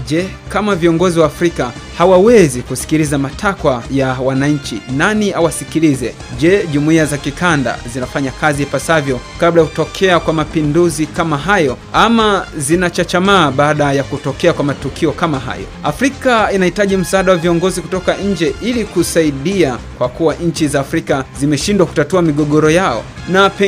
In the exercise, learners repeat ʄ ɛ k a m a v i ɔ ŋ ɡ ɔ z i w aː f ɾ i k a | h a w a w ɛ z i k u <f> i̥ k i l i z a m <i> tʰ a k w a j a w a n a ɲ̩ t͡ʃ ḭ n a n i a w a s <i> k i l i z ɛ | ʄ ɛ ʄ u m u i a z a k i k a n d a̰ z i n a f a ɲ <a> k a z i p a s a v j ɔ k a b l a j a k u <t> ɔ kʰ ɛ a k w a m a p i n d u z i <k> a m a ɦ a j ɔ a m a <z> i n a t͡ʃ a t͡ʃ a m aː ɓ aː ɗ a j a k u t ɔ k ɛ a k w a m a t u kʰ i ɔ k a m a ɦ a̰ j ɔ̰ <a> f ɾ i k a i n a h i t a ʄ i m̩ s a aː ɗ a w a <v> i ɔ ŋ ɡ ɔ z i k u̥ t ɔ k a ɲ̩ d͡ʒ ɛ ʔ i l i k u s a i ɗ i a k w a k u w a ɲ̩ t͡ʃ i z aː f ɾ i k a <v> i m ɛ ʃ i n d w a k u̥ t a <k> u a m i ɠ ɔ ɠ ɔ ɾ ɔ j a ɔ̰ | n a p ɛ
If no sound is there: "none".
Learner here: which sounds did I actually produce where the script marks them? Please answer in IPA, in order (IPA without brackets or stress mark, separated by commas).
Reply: s, a, i, a, t, k, z, a, v, z, t